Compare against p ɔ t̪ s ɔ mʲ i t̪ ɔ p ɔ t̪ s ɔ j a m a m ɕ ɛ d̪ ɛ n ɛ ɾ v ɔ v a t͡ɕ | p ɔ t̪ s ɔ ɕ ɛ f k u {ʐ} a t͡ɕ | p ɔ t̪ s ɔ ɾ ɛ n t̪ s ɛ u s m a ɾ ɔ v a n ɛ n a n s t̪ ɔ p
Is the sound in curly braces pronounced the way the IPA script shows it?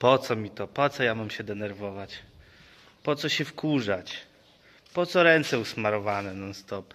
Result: yes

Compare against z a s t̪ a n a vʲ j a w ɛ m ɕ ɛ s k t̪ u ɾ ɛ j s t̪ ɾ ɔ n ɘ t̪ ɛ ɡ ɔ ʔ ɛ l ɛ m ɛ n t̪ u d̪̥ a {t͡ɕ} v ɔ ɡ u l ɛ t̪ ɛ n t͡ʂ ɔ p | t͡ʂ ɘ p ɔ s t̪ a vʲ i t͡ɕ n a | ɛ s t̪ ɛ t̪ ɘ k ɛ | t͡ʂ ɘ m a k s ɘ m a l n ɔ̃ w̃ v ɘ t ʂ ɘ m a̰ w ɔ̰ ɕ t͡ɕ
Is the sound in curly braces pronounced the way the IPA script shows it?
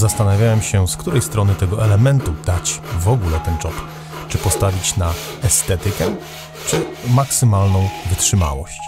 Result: yes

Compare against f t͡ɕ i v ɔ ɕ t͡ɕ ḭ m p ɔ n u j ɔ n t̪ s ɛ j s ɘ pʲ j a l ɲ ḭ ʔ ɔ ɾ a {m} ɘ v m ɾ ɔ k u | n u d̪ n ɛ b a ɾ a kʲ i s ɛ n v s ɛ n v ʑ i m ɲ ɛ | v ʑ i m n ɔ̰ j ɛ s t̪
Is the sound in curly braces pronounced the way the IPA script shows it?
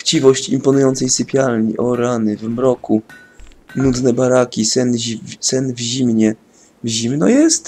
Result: no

